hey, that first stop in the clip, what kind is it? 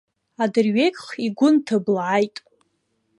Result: plain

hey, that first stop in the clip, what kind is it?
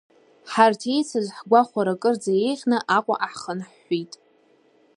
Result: aspirated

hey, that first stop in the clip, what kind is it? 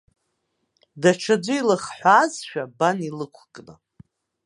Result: plain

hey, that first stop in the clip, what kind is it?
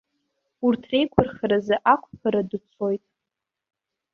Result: aspirated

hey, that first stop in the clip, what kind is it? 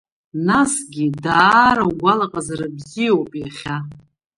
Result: plain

